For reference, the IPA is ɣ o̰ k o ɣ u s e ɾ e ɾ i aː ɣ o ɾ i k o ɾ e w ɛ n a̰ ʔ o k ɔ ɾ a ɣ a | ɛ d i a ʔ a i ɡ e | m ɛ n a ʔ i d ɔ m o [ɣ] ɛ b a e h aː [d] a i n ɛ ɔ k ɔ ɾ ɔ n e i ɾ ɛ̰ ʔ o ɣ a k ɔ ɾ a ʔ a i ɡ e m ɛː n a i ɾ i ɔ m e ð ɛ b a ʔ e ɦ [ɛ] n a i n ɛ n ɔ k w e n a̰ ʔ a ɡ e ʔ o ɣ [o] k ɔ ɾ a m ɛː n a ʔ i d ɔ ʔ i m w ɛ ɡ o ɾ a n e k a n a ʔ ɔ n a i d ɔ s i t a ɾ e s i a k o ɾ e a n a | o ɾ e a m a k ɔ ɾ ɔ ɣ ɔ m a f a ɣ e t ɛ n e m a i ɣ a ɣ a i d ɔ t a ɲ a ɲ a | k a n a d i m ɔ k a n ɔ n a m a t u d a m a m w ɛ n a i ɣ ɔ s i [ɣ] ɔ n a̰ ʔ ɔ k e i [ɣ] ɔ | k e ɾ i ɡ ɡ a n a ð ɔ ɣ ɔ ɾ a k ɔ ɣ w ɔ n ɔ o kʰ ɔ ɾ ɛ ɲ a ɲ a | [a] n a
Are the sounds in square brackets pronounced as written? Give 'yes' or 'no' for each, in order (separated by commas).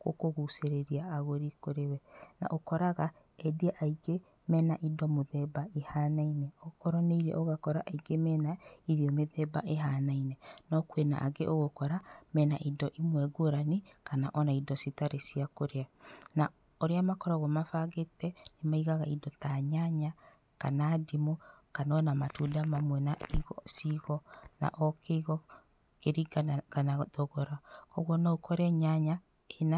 no, no, no, yes, yes, yes, no